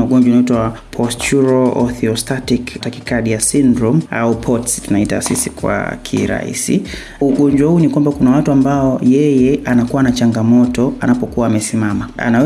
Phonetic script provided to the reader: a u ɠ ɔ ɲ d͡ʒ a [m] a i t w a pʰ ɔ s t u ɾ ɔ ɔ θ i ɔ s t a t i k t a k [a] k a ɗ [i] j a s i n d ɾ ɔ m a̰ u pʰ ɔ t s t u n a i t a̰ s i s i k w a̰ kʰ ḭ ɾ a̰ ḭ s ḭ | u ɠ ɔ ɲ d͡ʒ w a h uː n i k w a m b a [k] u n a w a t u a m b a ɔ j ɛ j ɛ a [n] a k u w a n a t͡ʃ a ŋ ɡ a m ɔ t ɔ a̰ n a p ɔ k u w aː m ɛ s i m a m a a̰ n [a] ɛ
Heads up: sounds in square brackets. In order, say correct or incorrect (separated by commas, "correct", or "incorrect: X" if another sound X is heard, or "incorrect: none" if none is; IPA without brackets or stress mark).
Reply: incorrect: n, incorrect: i, correct, correct, correct, correct